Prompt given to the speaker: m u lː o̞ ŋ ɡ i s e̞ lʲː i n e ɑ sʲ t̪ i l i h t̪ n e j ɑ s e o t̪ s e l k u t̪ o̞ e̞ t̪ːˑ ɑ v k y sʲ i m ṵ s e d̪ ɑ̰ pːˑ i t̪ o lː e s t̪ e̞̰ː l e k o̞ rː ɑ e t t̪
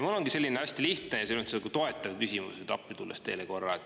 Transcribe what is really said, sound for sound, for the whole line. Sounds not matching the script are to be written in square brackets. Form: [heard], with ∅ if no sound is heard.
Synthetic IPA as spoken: m u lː o̞ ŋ ɡ i s e̞ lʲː i n e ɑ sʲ t̪ i l i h t̪ n e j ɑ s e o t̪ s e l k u t̪ o̞ e̞ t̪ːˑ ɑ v k y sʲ i m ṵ s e [t̪] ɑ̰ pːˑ i t̪ [u] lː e s t̪ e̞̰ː l e k o̞ rː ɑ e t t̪